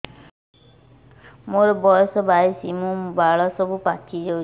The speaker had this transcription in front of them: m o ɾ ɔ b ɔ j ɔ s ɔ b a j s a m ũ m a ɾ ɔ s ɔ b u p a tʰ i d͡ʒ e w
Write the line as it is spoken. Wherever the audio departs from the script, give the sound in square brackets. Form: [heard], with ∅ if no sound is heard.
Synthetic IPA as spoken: m o ɾ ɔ b ɔ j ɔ s ɔ b a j s [i] m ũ [b] a [ɭ] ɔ s ɔ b u p a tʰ i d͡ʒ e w